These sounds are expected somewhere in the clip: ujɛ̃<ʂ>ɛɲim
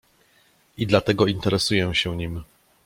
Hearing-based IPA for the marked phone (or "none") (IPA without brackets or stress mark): ɕ